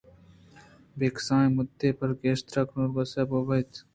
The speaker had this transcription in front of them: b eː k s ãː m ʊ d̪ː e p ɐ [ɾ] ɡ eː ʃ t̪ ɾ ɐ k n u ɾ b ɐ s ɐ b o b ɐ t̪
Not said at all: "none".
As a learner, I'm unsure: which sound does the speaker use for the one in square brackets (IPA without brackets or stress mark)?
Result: ɾ